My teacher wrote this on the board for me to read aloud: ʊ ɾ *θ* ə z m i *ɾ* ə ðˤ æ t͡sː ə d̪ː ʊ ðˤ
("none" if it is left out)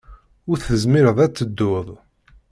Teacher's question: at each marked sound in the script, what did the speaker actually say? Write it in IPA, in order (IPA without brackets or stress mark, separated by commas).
θ, ɾ